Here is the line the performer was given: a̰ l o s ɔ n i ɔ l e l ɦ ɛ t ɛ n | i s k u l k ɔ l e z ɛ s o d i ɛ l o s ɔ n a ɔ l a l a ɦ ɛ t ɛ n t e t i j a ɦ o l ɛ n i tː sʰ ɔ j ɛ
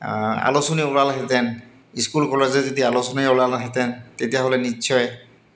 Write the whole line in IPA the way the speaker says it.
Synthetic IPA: a̰ l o s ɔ n i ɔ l a l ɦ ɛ t ɛ n | i s k u l k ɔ l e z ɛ z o d i a l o s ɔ n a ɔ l a l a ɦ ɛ t ɛ n t e t i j a ɦ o l ɛ n i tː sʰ ɔ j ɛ